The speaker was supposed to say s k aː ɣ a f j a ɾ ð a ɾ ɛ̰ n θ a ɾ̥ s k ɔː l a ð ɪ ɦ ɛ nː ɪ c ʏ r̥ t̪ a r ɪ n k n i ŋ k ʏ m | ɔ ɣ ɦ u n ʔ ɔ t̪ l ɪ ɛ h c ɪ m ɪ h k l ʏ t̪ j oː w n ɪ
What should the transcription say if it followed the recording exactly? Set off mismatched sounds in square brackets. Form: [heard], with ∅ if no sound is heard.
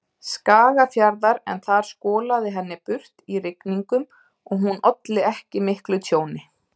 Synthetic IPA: s k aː ɣ a f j a ɾ ð a ɾ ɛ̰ n θ a ɾ̥ s k ɔː l a ð ɪ ɦ ɛ nː ɪ [p] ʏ r̥ t̪ [i] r ɪ [∅] k n i ŋ k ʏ m | ɔ ɣ ɦ u n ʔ ɔ t̪ l ɪ ɛ h c ɪ m ɪ h k l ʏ [t̪ʰ] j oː w n ɪ